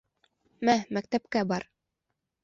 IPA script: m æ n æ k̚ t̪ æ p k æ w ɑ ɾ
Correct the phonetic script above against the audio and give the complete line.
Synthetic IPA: m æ m æ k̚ t̪ æ p k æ b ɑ ɾ